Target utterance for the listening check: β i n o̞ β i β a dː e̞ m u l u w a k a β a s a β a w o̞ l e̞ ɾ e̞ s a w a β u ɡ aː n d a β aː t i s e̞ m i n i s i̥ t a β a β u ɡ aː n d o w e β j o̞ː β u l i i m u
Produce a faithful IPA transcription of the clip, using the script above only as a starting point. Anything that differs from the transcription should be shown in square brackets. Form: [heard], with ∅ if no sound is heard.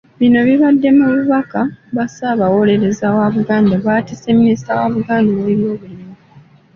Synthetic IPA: β i n o̞ β i β a dː e̞ m u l u [β] a k a β a s a β a w o̞ l e̞ ɾ e̞ [z] a w a β u ɡ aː n d a β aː t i s e̞ m i n i s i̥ t a [w] a β u ɡ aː n d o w e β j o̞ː β u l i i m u